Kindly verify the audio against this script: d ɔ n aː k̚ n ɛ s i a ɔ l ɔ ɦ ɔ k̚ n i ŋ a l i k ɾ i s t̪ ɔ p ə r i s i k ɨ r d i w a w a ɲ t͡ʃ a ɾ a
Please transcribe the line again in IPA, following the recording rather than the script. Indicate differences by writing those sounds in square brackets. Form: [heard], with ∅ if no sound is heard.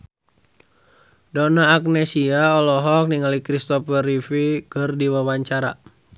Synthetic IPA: d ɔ n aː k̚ n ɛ s i a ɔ l ɔ ɦ ɔ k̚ n i ŋ a l i k ɾ i s t̪ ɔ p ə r i [f] i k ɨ r d i w a w a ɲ t͡ʃ a ɾ a